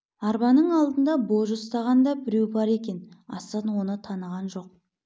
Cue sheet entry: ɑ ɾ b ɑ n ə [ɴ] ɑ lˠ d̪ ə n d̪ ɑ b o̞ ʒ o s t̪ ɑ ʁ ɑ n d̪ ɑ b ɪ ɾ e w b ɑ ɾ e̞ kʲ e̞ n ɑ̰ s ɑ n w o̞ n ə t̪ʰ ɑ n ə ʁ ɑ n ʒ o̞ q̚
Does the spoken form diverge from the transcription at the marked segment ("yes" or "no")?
no